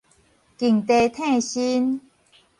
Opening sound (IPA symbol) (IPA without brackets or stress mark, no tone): k